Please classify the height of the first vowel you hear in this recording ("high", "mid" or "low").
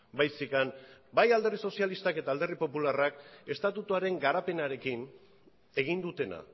low